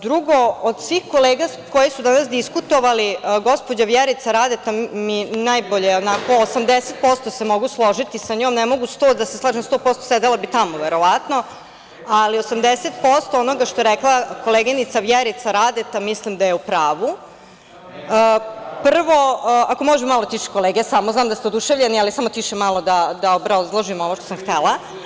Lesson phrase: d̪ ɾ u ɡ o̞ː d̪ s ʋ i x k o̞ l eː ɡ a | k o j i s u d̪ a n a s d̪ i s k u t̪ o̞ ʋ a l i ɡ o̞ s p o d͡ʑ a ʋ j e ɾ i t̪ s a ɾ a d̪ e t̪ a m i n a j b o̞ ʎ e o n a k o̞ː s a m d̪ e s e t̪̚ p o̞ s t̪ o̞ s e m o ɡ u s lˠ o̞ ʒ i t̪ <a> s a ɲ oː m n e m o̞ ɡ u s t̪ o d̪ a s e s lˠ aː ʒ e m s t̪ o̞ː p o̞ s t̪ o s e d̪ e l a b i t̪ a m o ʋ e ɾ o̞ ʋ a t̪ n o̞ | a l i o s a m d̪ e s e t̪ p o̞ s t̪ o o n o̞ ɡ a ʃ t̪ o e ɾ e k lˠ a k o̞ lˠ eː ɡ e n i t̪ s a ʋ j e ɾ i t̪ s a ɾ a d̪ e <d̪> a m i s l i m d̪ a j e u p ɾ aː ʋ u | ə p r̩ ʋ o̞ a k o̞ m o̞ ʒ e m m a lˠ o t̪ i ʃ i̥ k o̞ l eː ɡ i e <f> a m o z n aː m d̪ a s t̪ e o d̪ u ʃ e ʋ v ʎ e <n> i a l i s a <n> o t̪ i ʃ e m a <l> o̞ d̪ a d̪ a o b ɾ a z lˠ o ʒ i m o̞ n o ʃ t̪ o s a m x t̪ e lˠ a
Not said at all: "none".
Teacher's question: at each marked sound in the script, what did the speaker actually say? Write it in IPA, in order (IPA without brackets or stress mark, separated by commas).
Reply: i, t̪, s, n, m, l